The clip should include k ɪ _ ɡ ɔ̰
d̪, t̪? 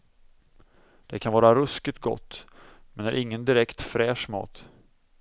t̪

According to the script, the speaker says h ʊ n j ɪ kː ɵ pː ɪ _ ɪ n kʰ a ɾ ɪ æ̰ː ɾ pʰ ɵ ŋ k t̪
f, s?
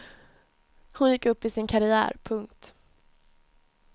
s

